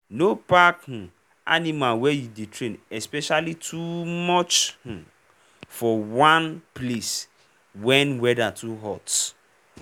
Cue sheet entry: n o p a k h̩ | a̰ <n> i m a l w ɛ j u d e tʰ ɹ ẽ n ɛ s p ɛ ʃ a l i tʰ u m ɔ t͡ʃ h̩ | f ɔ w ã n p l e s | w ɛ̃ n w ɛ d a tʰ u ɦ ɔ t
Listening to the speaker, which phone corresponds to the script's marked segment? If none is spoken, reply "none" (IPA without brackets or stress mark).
n